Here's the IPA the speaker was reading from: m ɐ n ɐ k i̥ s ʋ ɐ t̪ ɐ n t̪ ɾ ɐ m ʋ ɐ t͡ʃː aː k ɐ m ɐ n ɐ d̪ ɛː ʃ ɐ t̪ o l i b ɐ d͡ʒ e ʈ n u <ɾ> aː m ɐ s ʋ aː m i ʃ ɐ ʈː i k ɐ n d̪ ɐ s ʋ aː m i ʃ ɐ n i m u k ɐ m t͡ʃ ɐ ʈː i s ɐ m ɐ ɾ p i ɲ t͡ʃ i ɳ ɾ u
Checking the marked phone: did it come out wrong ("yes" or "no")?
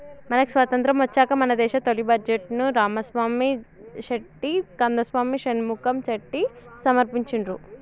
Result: no